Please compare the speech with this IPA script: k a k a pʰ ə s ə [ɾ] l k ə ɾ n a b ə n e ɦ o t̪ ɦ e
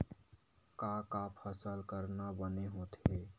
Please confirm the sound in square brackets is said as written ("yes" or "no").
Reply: no